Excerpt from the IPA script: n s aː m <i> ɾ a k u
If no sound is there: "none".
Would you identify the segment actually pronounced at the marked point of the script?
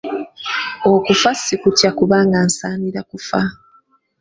i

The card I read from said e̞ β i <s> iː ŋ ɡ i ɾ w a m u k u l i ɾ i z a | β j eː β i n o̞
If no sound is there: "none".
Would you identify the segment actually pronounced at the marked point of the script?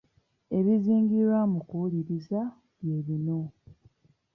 z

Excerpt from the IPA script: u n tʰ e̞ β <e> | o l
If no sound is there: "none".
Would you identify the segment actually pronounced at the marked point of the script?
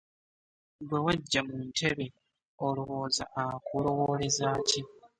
e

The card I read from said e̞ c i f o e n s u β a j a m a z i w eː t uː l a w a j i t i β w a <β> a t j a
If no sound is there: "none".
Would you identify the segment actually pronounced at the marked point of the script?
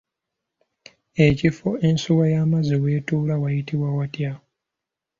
w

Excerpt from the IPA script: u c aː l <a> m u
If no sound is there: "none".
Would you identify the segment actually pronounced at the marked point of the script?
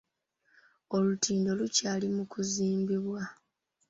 i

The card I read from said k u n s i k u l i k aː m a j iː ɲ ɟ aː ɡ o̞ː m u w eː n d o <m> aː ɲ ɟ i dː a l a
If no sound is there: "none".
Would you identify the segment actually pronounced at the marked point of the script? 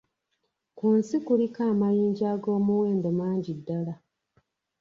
m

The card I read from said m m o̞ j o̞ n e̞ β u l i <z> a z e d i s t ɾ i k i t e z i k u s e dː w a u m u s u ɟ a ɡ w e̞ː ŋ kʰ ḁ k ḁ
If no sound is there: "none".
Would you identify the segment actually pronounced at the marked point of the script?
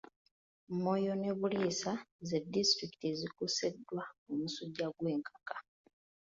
s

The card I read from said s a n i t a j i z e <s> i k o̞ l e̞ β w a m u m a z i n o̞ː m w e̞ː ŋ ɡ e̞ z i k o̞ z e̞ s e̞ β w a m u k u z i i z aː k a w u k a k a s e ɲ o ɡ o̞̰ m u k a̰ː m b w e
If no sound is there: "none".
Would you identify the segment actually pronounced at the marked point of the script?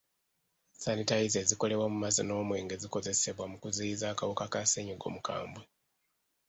z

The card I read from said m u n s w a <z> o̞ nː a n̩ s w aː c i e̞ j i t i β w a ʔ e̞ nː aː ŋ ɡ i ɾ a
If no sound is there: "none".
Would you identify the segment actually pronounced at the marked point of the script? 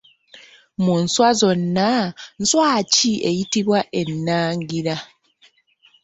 z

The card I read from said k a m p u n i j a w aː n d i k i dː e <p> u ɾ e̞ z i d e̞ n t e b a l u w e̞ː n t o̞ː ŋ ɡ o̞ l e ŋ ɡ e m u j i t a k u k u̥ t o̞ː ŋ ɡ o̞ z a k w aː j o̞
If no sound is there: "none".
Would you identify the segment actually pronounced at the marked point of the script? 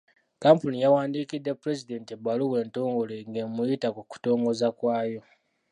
p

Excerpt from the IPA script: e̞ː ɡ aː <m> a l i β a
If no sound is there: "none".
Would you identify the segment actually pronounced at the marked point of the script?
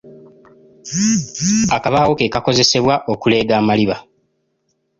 m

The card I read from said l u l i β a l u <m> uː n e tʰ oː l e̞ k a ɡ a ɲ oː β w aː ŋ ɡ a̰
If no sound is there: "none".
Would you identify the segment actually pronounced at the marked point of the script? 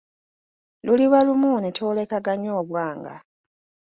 m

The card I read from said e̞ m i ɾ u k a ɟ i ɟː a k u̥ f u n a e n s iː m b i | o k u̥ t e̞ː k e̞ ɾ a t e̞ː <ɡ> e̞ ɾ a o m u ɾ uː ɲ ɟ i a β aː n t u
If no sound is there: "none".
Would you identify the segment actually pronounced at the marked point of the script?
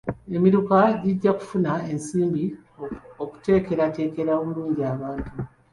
k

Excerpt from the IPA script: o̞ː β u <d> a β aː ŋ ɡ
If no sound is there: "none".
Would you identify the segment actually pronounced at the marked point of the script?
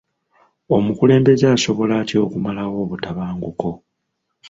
t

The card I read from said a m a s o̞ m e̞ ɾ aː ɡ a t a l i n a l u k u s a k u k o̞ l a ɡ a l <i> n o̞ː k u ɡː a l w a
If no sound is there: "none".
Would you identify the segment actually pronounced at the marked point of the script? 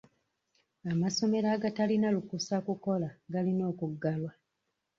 i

